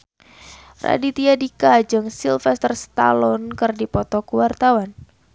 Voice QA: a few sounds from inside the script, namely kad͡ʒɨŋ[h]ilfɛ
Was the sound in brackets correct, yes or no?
no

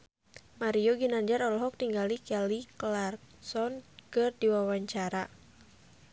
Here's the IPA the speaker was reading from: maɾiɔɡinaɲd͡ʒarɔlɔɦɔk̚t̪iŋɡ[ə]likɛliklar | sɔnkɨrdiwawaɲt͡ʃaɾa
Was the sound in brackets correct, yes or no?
no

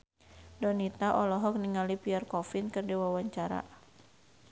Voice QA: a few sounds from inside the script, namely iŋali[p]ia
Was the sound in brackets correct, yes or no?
yes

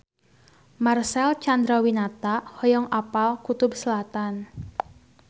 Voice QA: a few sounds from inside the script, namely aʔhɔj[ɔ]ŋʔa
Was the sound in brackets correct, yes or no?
yes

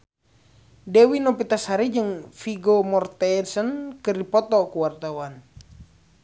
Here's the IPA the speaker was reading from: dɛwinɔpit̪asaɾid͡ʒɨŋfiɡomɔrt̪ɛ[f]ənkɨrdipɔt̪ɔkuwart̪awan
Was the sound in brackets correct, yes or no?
no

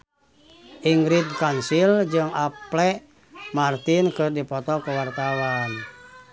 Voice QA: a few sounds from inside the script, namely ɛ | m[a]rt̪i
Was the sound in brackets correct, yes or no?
yes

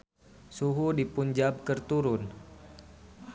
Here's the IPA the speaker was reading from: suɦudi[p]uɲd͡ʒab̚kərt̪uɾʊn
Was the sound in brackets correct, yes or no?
yes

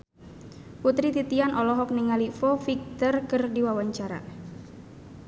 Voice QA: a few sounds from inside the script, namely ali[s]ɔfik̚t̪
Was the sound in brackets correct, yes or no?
no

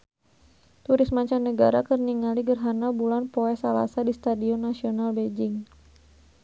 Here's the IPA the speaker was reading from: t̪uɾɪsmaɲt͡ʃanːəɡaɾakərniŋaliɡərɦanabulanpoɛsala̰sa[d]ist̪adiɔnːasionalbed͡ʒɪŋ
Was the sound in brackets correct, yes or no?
yes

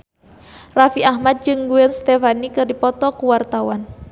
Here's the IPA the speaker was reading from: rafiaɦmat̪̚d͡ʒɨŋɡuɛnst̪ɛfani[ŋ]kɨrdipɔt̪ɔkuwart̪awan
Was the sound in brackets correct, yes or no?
no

